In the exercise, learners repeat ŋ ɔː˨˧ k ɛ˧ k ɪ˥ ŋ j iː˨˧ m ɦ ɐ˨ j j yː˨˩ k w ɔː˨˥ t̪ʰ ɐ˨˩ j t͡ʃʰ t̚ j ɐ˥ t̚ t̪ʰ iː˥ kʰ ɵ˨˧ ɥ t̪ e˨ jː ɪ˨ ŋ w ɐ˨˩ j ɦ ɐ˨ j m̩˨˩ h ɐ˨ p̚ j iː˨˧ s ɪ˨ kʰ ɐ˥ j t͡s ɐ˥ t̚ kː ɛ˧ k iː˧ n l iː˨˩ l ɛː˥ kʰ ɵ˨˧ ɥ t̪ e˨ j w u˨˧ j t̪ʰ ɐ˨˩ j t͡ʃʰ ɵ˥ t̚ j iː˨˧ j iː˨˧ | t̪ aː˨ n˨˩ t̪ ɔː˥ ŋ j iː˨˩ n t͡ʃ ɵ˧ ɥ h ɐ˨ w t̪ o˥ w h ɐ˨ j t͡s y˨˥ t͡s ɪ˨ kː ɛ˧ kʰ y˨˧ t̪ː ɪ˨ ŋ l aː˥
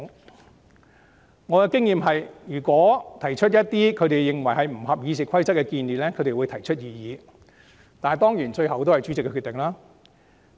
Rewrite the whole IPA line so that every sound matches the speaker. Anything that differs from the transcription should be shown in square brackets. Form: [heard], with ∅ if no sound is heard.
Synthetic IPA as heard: ŋ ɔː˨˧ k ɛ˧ k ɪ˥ ŋ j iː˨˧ m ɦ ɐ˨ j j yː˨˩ k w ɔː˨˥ t̪ʰ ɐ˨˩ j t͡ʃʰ t̚ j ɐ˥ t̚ [t̪] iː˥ kʰ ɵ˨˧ ɥ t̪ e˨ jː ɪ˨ ŋ w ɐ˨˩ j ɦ ɐ˨ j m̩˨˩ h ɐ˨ p̚ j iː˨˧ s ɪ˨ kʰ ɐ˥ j t͡s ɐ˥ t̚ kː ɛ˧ k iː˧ n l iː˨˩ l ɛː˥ kʰ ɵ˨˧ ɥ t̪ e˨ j w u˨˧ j t̪ʰ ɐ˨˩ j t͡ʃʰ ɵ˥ t̚ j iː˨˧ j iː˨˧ | t̪ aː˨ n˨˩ t̪ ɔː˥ ŋ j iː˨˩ n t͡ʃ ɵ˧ ɥ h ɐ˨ w t̪ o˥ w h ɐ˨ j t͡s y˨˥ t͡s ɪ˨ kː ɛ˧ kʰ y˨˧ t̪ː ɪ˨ ŋ l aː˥